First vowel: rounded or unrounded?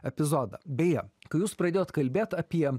unrounded